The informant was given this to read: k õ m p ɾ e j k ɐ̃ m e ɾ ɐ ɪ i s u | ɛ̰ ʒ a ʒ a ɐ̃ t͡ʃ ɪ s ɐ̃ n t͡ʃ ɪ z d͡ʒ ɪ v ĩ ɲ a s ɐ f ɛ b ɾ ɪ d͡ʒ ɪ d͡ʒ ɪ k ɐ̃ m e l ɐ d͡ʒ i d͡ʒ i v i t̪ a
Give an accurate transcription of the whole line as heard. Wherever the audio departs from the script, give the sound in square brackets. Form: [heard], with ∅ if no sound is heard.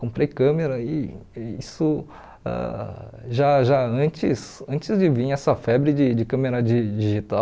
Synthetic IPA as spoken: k õ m p ɾ e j k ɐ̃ m e ɾ ɐ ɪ i s [ʊ] | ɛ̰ ʒ a ʒ a ɐ̃ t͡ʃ ɪ s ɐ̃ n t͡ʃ ɪ z d͡ʒ ɪ v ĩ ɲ [ɛ] s ɐ f ɛ b ɾ ɪ d͡ʒ ɪ d͡ʒ ɪ k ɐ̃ m e [ɾ] ɐ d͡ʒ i d͡ʒ i [ʒ] i t̪ a

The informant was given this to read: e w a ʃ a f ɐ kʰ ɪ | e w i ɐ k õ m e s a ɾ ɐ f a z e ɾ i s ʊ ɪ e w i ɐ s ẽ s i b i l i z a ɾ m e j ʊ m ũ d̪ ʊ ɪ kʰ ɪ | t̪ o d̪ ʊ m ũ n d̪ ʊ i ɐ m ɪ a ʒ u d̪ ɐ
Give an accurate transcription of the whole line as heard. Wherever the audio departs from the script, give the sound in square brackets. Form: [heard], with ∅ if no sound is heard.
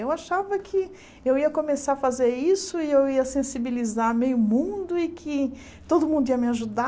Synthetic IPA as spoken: e w a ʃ a [v] ɐ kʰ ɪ | e w i ɐ k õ m e s a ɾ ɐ f a z e ɾ i s ʊ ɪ e w i ɐ s ẽ s i b i l i z a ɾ m e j ʊ m ũ d̪ ʊ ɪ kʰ ɪ | t̪ o d̪ ʊ m ũ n d̪ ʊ i ɐ m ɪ a ʒ u d̪ [a]

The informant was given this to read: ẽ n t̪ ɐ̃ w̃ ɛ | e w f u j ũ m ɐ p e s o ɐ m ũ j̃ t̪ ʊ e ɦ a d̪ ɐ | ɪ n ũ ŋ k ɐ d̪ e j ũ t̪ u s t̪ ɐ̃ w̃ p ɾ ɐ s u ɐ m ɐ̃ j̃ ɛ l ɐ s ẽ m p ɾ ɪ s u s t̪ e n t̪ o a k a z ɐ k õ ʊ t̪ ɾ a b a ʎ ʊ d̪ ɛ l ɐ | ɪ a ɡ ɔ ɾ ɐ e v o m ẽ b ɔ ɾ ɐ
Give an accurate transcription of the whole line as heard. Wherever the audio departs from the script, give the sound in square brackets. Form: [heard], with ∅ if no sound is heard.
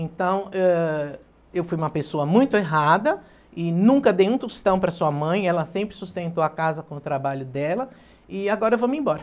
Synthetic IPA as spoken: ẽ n t̪ ɐ̃ w̃ ɛ | e w f u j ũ m ɐ p e s o ɐ m ũ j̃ t̪ ʊ e ɦ a d̪ ɐ | ɪ n ũ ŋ k ɐ d̪ e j ũ t̪ u s t̪ ɐ̃ w̃ p ɾ ɐ s u ɐ m ɐ̃ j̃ ɛ l ɐ s ẽ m p ɾ ɪ s u s t̪ [ẽ] n t̪ o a k a z ɐ k õ ʊ t̪ ɾ a b a ʎ ʊ d̪ ɛ l ɐ | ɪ a ɡ ɔ ɾ ɐ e v o m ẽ b ɔ ɾ ɐ

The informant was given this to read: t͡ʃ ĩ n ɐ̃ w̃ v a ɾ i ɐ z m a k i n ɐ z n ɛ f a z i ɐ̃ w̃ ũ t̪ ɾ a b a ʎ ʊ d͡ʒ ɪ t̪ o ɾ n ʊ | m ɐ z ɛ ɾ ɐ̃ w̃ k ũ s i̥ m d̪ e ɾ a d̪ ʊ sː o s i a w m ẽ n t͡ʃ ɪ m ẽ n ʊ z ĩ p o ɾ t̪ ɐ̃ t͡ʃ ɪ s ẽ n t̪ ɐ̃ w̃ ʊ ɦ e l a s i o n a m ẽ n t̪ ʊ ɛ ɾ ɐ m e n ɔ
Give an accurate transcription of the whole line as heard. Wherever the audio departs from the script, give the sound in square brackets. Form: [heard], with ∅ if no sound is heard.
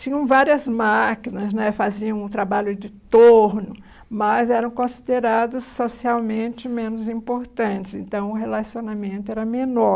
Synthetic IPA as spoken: t͡ʃ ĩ [ɲ] ɐ̃ w̃ v a ɾ i ɐ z m a k i n ɐ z n ɛ f a z i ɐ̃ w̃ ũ t̪ ɾ a b a ʎ ʊ d͡ʒ ɪ t̪ o ɾ n ʊ | m ɐ z ɛ ɾ ɐ̃ w̃ k [õ] s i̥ [∅] d̪ e ɾ a d̪ ʊ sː o s i a w m ẽ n t͡ʃ ɪ m ẽ n ʊ z ĩ p o ɾ t̪ ɐ̃ t͡ʃ ɪ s ẽ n t̪ ɐ̃ w̃ ʊ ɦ e l a s i o n a m ẽ n t̪ ʊ ɛ ɾ ɐ m e n ɔ

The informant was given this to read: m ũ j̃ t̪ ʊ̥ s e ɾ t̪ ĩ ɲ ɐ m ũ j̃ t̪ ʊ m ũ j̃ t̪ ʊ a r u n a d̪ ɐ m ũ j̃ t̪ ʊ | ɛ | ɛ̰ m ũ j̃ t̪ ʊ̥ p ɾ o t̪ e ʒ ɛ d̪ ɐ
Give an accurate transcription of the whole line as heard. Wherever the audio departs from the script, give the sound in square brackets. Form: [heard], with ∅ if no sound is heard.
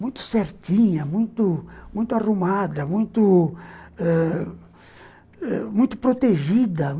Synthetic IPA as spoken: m ũ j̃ t̪ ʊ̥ s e ɾ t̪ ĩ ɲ ɐ m ũ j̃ t̪ ʊ m ũ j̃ t̪ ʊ a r u [m] a d̪ ɐ m ũ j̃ t̪ ʊ | ɛ | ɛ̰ m ũ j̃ t̪ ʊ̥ p ɾ o t̪ e ʒ [i] d̪ ɐ

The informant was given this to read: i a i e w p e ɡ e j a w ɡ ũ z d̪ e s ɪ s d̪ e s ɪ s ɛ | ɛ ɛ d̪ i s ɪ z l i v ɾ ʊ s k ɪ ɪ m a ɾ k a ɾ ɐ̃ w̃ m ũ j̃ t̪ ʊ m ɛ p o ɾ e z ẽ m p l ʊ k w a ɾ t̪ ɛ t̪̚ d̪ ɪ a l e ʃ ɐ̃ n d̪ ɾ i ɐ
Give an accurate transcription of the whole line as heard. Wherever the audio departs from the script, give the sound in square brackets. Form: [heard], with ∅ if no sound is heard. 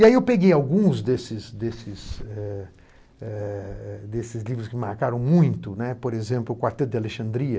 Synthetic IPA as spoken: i a i e w p e ɡ e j a w ɡ ũ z d̪ e s ɪ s d̪ e s ɪ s ɛ | ɛ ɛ d̪ [e] s ɪ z l i v ɾ ʊ s k ɪ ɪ m a ɾ k a ɾ ɐ̃ w̃ m ũ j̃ t̪ ʊ [n] ɛ p o ɾ e z ẽ m p l ʊ k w a ɾ t̪ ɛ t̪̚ d̪ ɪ a l e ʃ ɐ̃ n d̪ ɾ i ɐ

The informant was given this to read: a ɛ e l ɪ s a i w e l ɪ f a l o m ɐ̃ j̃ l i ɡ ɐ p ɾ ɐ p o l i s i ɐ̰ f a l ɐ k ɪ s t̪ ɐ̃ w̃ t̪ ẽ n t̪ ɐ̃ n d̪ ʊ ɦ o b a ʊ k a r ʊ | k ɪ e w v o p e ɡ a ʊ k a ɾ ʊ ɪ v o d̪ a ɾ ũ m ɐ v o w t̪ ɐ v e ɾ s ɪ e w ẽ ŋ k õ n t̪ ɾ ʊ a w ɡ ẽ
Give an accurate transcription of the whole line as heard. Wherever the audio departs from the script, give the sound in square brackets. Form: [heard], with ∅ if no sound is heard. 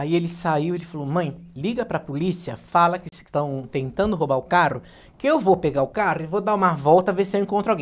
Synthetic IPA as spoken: a [i] e l ɪ s a i w e l ɪ f a l o m ɐ̃ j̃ l i ɡ ɐ p ɾ ɐ p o l i s i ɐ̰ f a l ɐ k ɪ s t̪ ɐ̃ w̃ t̪ ẽ n t̪ ɐ̃ n d̪ ʊ ɦ o b a ʊ k a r ʊ | k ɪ e w v o p e ɡ a ʊ k a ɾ ʊ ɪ v o d̪ a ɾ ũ m ɐ v [ɔ] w t̪ ɐ v e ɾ s ɪ e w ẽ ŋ k õ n t̪ ɾ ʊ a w ɡ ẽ

